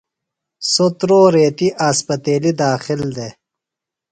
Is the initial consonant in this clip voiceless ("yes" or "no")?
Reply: yes